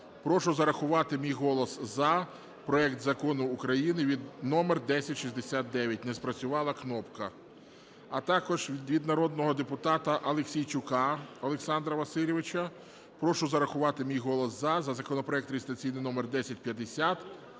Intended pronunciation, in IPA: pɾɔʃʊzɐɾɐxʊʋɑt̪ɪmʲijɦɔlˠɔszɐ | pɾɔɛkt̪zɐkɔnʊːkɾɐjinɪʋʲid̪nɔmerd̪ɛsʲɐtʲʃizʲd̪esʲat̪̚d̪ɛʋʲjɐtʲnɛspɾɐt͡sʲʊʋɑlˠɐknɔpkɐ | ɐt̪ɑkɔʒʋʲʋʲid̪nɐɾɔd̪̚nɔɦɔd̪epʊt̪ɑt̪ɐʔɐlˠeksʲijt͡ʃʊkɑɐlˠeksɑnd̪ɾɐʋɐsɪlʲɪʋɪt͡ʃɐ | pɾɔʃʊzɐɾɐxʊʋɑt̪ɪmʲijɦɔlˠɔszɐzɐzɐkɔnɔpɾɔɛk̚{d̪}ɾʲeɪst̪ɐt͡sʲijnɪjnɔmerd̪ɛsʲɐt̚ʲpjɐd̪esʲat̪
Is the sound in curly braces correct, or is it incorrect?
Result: incorrect